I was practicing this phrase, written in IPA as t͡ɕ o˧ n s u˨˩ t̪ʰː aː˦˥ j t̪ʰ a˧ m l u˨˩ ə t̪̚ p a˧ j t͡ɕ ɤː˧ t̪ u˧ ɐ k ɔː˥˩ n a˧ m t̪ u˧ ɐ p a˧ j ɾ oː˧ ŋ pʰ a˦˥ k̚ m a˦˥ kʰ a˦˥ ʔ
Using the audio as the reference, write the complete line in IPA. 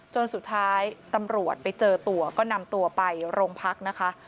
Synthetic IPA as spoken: t͡ɕ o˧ n s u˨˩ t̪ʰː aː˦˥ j t̪ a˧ m ɾ u˨˩ ə t̪̚ p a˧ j t͡ɕ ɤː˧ t̪ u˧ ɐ k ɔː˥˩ n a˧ m t̪ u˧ ɐ p a˧ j ɾ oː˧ ŋ pʰ a˦˥ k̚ n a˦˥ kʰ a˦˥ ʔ